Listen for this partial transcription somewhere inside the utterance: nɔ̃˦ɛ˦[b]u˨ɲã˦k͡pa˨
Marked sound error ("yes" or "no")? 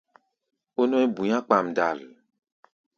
no